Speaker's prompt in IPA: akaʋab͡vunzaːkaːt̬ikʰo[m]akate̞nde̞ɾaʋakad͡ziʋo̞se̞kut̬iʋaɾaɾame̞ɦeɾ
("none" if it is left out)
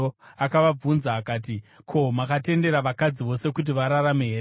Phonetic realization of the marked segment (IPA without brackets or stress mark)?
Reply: m